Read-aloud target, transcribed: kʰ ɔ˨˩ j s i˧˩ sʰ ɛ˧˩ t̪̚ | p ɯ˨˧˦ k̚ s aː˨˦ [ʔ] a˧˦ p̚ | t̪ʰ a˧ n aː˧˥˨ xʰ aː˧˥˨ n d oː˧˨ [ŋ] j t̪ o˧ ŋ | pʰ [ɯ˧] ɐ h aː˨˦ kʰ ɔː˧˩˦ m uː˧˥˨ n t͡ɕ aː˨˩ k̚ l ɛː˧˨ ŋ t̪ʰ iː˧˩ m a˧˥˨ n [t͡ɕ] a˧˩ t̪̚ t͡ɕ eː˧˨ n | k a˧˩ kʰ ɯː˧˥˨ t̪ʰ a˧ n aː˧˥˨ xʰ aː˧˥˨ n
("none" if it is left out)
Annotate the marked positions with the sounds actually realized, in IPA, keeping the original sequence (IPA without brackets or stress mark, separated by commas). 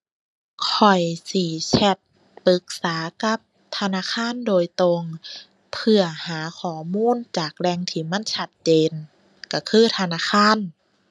k, none, ɯ˧, t͡ɕʰ